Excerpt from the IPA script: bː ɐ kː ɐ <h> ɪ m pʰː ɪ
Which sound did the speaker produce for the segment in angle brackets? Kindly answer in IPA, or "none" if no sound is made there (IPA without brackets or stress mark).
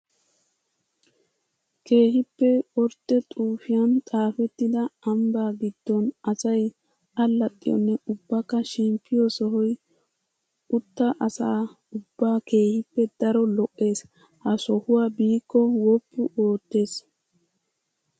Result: ʃ